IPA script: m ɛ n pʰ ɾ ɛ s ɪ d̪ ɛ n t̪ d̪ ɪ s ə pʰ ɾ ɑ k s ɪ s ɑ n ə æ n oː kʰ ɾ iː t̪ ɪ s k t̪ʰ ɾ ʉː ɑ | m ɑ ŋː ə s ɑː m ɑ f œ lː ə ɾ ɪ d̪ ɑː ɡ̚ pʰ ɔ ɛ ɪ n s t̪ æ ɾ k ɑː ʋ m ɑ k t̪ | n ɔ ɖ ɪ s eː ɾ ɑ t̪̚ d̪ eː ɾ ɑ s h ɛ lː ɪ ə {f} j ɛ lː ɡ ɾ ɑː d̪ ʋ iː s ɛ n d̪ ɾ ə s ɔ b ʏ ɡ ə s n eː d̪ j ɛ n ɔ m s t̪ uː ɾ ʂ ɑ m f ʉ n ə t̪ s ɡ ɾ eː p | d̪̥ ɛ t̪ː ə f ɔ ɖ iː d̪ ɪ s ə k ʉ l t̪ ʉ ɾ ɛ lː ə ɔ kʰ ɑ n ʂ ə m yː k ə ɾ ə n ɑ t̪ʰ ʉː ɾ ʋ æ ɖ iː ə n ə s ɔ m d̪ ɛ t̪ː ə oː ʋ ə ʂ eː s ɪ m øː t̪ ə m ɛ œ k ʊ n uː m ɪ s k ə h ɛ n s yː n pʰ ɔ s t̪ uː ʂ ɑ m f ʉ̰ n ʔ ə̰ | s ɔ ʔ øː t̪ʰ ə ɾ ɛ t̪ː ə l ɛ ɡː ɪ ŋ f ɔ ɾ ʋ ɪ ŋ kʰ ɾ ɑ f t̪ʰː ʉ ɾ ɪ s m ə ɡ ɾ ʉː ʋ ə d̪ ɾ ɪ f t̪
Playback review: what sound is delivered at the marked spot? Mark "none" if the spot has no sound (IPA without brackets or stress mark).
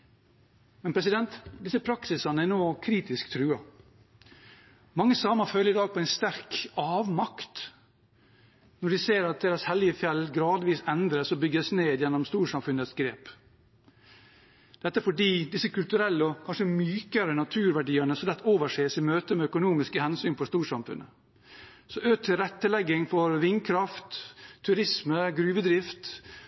f